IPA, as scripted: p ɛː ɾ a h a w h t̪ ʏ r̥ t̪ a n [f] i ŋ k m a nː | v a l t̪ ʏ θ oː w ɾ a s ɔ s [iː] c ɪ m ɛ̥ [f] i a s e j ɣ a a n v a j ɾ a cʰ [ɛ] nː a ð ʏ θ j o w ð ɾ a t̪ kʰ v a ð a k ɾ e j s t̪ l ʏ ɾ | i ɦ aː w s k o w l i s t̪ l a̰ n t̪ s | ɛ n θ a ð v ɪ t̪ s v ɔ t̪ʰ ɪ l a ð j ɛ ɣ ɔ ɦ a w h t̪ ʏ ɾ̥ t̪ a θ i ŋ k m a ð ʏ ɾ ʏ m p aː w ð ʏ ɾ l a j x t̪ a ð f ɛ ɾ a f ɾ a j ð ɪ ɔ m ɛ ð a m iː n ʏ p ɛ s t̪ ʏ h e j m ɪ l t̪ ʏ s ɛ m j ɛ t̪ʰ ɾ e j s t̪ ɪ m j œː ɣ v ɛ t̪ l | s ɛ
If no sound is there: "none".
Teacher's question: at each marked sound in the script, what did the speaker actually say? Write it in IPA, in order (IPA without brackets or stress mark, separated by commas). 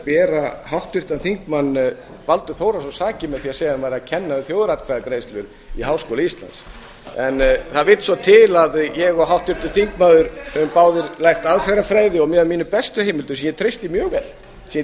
θ, aː, θ, ɛ